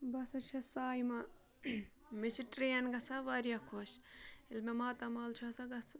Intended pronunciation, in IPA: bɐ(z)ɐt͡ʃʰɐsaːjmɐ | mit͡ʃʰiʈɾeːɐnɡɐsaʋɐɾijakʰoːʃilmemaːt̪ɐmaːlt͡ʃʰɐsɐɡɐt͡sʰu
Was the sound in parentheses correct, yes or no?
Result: no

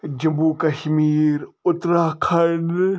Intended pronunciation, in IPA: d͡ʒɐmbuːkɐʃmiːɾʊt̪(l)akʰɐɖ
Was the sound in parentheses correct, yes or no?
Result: no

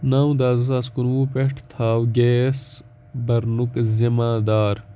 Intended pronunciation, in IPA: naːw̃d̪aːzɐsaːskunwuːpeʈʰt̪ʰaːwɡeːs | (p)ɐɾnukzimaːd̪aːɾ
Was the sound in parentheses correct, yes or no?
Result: no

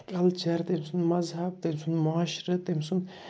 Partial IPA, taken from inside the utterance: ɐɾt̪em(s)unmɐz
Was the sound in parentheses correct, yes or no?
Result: yes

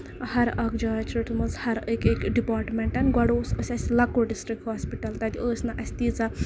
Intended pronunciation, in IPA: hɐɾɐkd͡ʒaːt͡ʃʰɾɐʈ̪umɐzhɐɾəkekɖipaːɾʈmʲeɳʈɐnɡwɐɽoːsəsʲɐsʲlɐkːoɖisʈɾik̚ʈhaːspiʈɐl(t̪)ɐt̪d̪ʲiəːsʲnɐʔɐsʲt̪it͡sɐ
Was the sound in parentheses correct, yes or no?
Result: yes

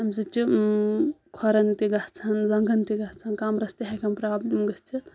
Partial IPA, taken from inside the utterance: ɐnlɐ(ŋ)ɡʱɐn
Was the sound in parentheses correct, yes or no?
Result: yes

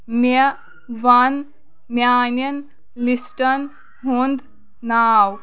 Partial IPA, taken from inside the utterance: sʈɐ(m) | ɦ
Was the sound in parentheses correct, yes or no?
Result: no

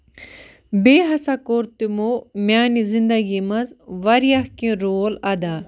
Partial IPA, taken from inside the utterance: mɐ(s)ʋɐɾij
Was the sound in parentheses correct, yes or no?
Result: no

